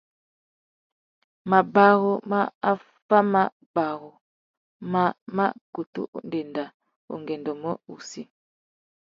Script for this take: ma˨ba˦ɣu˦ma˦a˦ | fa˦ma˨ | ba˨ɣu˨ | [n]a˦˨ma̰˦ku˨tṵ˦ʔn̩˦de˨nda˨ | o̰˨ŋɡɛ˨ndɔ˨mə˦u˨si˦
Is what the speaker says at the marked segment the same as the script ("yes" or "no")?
no